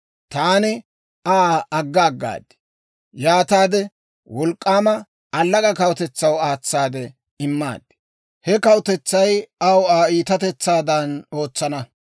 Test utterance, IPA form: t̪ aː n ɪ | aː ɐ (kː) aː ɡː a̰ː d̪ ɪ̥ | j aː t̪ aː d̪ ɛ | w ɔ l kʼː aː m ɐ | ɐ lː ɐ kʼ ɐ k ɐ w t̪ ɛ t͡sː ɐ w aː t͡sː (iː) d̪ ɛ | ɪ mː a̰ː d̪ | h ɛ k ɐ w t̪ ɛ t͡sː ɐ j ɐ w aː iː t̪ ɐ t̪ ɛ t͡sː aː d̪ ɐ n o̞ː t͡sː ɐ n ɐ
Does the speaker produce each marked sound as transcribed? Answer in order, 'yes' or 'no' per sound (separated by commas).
no, no